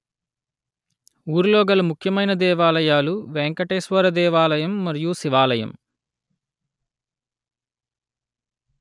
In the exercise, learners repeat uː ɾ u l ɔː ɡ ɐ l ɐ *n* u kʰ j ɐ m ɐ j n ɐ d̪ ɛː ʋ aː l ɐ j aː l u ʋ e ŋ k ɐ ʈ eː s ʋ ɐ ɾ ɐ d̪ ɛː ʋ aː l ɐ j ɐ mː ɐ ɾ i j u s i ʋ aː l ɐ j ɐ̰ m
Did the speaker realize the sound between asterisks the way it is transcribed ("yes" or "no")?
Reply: no